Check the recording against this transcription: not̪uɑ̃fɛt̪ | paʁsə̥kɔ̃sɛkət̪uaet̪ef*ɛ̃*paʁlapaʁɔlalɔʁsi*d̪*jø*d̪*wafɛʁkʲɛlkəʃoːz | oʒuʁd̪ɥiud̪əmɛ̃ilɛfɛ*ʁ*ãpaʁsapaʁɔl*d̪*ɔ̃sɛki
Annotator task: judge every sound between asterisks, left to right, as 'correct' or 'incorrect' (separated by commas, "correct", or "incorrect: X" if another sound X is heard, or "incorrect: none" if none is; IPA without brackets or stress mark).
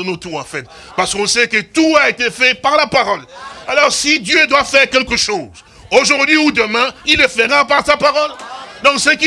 incorrect: ɛ, correct, correct, correct, correct